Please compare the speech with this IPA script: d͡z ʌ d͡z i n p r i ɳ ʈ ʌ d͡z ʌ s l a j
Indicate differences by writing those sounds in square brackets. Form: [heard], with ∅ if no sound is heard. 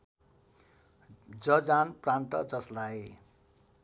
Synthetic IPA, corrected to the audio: d͡z ʌ d͡z [a] n p r [a] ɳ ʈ ʌ d͡z ʌ s l a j